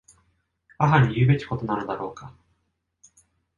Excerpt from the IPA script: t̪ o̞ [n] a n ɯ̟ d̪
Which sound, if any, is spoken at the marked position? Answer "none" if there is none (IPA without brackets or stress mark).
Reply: n